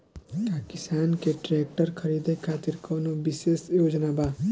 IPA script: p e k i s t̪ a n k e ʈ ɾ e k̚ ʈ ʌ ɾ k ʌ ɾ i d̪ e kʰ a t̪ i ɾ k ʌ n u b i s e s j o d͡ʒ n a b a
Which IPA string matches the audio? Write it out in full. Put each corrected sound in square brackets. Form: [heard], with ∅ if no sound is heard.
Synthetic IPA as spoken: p [a] k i s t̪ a n k e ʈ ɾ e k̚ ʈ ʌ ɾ [kʰ] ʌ ɾ i d̪ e kʰ a t̪ i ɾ k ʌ n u b i s e s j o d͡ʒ n a b a